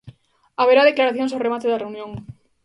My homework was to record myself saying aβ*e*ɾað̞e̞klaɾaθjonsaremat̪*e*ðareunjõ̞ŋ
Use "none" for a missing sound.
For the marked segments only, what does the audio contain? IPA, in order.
e, e

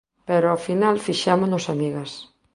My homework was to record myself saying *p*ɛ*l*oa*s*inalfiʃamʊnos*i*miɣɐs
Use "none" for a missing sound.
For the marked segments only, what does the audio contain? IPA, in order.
p, ɾ, f, a

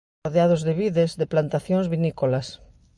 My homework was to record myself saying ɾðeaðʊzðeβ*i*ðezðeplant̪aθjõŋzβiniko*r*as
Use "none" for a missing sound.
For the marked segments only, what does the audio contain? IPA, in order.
i, l

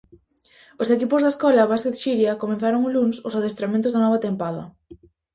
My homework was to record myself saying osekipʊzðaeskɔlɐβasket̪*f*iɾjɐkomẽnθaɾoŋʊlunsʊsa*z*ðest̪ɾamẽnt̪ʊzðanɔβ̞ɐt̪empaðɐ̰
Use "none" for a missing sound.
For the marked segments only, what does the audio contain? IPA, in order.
ʃ, none

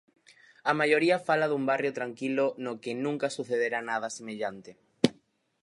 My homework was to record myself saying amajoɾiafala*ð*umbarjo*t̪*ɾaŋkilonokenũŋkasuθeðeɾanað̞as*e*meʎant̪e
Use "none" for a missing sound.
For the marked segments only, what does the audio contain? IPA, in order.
ð, t̪, e

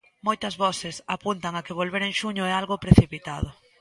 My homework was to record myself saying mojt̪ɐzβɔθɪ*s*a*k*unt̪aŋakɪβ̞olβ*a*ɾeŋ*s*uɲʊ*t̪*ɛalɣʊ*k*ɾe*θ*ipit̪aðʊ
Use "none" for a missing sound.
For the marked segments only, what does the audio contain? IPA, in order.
s, p, e, ʃ, none, p, θ

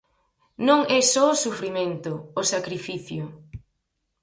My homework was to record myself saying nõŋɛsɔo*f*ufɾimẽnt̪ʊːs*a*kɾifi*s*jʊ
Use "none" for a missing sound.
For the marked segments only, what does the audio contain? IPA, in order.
s, a, θ

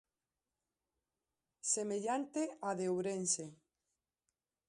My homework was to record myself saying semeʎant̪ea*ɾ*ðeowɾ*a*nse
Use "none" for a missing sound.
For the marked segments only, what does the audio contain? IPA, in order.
none, e

